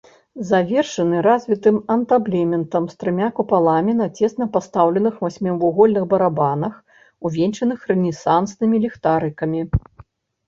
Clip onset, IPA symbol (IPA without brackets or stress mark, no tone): z